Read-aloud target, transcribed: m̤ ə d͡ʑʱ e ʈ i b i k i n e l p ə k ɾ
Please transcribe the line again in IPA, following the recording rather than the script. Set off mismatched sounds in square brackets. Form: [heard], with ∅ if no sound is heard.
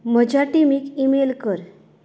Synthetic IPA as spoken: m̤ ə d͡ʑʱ [a] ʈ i [m] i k i [m] e l [k] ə [∅] ɾ